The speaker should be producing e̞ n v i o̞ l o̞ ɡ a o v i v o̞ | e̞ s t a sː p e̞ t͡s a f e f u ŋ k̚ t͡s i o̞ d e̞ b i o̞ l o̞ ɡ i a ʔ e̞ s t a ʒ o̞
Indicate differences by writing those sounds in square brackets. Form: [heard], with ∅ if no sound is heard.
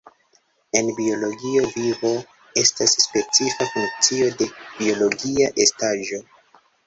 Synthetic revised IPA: e̞ n [b] i o̞ l o̞ ɡ [i] o v i v o̞ | e̞ s t a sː p e̞ t͡s [i] f [a] f u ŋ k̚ t͡s i o̞ d e̞ b i o̞ l o̞ ɡ i a ʔ e̞ s t a ʒ o̞

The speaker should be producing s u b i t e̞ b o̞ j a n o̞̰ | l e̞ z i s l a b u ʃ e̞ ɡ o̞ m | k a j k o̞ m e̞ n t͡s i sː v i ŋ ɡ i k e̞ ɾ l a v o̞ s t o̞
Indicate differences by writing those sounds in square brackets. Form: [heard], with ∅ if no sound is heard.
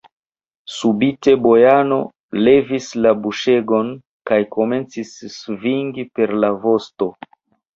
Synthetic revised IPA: s u b i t e̞ b o̞ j a n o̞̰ | l e̞ [v] i s l a b u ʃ e̞ ɡ o̞ [n] | k a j k o̞ m e̞ n t͡s i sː v i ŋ ɡ i [p] e̞ ɾ l a v o̞ s t o̞

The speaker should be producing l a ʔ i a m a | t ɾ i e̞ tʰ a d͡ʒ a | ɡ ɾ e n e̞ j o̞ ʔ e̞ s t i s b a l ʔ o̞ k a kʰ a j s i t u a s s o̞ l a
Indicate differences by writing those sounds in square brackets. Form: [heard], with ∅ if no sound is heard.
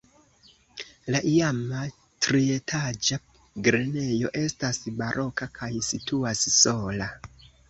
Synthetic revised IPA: l a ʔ i a m a | t ɾ i e̞ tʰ a d͡ʒ a | ɡ ɾ e n e̞ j o̞ ʔ e̞ s t [a] s b a [ɾ] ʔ o̞ k a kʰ a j s i t u a s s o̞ l a

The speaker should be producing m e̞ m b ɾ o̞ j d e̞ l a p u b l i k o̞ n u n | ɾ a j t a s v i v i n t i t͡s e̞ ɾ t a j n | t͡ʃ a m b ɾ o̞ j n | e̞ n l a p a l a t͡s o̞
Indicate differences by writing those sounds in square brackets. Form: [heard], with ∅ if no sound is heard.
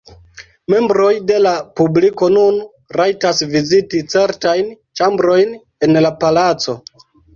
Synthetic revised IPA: m e̞ m b ɾ o̞ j d e̞ l a p u b l i k o̞ n u n | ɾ a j t a s v i [z] i [∅] t i t͡s e̞ ɾ t a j n | t͡ʃ a m b ɾ o̞ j n | e̞ n l a p a l a t͡s o̞

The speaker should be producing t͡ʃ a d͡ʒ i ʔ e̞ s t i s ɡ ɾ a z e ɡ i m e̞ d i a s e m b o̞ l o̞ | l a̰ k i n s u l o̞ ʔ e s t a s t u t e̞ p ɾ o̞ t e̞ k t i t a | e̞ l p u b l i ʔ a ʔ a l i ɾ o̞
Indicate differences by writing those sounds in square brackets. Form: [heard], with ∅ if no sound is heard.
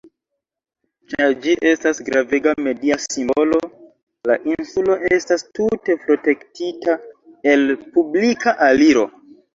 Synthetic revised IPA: t͡ʃ a d͡ʒ i ʔ e̞ s t [a] s ɡ ɾ a [v] e ɡ [a] m e̞ d i a s [i] m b o̞ l o̞ | l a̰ [ʔ] i n s u l o̞ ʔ e s t a s t u t e̞ p ɾ o̞ t e̞ k t i t a | e̞ l p u b l i [k] a ʔ a l i ɾ o̞

